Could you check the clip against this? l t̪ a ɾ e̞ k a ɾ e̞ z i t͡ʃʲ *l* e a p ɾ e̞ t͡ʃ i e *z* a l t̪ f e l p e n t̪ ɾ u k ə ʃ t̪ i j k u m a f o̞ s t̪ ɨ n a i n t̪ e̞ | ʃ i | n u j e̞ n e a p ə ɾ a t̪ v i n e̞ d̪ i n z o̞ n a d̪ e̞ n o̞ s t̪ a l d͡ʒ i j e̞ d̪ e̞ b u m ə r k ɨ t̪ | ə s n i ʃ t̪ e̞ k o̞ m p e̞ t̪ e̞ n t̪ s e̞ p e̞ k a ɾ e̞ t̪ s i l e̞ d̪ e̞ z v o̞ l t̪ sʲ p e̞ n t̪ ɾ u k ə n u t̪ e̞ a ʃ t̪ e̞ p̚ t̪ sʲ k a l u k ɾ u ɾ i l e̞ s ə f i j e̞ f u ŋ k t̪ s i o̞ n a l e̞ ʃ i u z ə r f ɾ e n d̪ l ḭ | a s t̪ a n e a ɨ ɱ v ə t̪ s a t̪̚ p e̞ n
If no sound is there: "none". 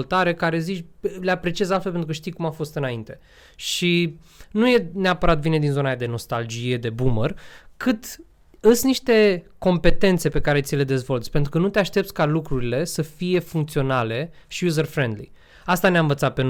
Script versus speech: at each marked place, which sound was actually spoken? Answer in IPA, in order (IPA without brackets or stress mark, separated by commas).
l, z